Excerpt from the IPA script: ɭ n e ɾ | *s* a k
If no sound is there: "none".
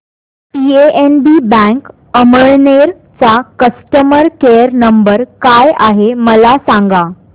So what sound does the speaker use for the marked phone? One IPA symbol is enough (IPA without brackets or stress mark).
t͡s